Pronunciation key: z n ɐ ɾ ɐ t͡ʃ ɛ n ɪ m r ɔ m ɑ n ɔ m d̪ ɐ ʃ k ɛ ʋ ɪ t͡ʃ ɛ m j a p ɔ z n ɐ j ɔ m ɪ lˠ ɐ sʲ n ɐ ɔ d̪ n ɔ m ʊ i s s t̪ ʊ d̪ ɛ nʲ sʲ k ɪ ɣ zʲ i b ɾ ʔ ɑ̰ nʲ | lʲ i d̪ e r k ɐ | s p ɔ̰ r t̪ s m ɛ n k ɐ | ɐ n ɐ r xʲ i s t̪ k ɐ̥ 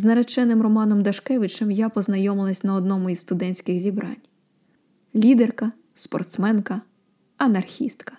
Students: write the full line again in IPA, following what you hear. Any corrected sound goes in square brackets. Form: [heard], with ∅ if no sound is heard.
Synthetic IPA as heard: z n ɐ ɾ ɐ t͡ʃ ɛ n ɪ m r ɔ m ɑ n ɔ m d̪ ɐ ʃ k ɛ ʋ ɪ t͡ʃ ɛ m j a p ɔ z n ɐ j ɔ m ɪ lˠ ɐ sʲ n ɐ ɔ d̪ n ɔ m ʊ i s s t̪ ʊ d̪ ɛ nʲ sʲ k ɪ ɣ zʲ i b ɾ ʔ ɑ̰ nʲ | lʲ i d̪ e r k ɐ | s p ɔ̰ r t̪ s m ɛ n k ɐ | ɐ n ɐ r xʲ i s t̪ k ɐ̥